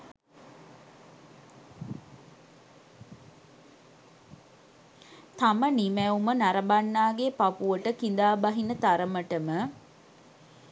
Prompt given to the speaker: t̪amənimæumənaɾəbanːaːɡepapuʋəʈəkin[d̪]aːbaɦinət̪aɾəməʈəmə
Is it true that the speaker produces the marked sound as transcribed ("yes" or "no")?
yes